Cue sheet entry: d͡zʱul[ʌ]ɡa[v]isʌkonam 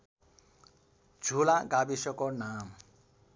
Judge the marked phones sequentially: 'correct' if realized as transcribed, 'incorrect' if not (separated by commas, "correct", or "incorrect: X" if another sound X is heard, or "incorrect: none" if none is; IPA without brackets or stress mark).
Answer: incorrect: a, incorrect: b